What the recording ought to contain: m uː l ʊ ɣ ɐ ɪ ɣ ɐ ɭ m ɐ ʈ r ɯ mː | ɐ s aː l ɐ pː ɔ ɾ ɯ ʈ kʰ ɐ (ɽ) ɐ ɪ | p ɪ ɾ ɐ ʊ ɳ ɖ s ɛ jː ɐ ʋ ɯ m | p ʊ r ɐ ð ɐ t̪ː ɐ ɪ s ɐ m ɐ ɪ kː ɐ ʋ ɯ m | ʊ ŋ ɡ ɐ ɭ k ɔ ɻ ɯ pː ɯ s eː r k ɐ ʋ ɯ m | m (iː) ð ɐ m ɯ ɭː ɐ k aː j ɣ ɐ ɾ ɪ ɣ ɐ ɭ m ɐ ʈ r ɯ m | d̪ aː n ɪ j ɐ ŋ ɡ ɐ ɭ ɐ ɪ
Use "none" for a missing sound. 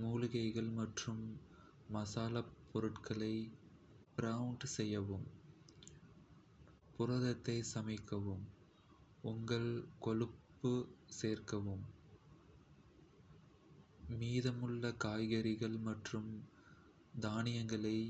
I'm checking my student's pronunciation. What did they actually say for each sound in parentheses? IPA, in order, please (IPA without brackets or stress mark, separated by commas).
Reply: ɭ, iː